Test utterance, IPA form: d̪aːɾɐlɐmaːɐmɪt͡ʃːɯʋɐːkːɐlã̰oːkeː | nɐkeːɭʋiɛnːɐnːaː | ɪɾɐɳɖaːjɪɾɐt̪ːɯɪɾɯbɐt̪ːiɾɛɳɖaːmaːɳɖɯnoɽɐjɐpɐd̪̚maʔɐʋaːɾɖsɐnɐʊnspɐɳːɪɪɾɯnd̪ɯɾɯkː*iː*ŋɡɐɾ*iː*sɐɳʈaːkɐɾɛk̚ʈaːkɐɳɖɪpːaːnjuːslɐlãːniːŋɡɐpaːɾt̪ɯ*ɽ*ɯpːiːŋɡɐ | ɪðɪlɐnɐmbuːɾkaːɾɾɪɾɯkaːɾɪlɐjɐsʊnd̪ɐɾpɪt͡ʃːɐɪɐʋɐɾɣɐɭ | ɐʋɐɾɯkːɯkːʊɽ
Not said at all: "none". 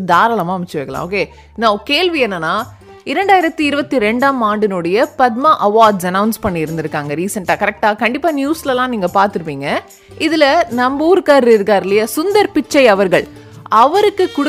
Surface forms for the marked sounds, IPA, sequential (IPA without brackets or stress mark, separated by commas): aː, iː, ɾ